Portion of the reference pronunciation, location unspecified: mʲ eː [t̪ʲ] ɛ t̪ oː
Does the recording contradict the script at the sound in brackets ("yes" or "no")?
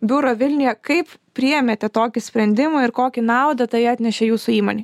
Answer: no